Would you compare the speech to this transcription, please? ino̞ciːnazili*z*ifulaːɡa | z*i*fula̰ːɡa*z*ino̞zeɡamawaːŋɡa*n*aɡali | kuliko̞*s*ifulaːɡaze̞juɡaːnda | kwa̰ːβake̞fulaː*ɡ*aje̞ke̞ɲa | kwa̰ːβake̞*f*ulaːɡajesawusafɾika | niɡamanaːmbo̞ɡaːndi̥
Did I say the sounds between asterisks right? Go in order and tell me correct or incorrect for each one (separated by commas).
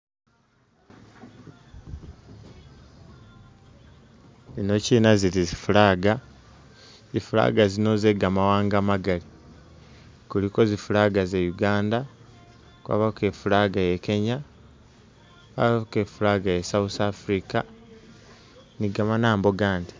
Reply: correct, correct, correct, incorrect, incorrect, correct, correct